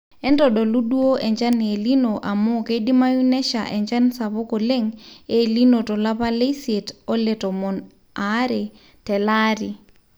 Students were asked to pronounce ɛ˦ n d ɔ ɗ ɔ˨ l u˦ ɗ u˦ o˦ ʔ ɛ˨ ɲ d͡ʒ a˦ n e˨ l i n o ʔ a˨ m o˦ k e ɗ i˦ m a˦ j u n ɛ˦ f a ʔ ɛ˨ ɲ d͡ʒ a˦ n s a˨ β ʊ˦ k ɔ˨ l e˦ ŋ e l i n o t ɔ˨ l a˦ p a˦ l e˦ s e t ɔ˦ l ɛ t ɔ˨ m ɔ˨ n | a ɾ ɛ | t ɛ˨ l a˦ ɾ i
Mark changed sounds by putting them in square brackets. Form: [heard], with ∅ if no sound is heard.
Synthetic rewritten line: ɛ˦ n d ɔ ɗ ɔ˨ l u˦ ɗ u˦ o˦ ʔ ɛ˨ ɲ d͡ʒ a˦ n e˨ l i n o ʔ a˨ m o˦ k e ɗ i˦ m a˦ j u n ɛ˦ [ʃ] a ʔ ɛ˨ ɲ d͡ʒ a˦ n s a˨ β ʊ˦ k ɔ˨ l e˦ ŋ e l i n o t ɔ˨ l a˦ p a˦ l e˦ s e t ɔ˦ l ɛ t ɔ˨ m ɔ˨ n | a ɾ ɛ | t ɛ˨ l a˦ ɾ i